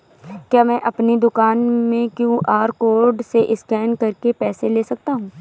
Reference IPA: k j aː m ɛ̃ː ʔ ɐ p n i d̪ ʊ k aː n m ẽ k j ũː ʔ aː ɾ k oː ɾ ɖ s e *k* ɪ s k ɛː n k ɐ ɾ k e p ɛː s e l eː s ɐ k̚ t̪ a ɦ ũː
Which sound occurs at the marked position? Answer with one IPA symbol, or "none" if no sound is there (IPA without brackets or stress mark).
ʔ